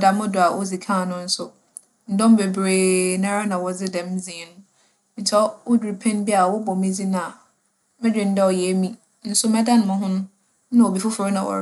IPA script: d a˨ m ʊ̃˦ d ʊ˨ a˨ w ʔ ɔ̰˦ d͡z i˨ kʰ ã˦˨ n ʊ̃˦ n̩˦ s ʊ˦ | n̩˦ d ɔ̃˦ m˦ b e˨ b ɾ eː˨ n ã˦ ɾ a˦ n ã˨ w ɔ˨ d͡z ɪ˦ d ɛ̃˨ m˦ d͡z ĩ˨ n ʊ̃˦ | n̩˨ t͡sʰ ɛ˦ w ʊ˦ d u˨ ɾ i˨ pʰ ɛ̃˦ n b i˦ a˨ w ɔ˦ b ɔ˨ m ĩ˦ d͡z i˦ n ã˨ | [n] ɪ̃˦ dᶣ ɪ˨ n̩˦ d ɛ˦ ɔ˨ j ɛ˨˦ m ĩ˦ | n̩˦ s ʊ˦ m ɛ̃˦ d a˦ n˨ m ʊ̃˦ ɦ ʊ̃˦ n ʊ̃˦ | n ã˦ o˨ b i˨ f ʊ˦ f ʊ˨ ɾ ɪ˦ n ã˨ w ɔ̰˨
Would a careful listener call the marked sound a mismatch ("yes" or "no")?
yes